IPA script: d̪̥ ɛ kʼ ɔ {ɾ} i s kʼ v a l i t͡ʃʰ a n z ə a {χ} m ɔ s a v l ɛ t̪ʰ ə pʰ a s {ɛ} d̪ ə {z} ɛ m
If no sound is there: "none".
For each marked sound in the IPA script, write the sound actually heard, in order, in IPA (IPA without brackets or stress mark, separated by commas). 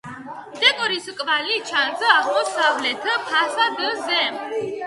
ɾ, ʁ, a, z